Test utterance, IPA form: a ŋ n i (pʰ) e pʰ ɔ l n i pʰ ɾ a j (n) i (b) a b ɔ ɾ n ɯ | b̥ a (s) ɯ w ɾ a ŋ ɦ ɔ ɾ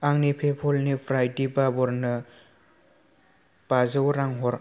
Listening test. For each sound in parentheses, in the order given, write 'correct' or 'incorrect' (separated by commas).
correct, incorrect, correct, incorrect